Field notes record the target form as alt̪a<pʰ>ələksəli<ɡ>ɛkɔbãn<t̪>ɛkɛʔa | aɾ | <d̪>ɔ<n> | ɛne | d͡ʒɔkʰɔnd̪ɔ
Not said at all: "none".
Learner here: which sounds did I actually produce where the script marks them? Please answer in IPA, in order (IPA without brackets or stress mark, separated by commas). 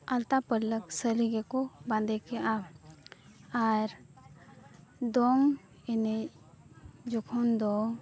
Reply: p, ɡ, d̪, d̪, ŋ